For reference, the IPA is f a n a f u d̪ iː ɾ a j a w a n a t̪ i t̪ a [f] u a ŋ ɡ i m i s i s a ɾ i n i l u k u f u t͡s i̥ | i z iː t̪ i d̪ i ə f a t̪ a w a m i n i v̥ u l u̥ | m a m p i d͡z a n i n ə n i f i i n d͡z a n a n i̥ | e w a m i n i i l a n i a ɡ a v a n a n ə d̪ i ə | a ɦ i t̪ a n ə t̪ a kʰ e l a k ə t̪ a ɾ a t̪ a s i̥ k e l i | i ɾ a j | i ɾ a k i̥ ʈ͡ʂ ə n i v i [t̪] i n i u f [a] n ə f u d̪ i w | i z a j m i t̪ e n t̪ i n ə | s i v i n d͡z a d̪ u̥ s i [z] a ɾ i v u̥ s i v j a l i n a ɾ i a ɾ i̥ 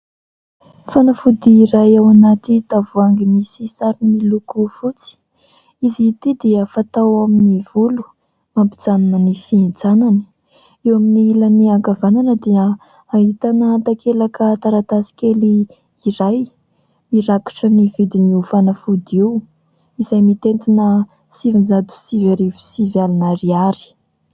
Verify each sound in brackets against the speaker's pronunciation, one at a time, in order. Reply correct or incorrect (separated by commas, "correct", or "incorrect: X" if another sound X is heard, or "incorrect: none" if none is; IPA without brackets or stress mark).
incorrect: v, incorrect: d̪, correct, incorrect: v